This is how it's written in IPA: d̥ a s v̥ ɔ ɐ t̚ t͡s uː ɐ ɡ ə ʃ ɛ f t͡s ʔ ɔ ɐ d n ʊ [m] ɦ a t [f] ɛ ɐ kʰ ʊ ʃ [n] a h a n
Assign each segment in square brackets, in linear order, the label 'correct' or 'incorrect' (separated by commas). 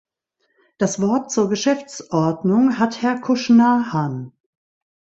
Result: incorrect, incorrect, correct